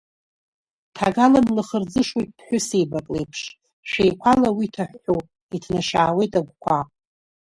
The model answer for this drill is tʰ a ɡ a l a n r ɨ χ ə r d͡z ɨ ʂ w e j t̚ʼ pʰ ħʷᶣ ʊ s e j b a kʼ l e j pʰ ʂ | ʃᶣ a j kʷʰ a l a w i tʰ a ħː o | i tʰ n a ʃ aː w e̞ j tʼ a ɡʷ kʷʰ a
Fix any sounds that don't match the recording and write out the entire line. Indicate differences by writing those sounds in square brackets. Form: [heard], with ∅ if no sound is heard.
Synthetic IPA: tʰ a ɡ a l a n [l] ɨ χ ə r d͡z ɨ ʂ w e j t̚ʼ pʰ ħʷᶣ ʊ s e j b a kʼ l e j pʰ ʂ | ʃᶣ [e] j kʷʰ a l a w i tʰ a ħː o | i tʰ n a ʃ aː w e̞ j tʼ a ɡʷ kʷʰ a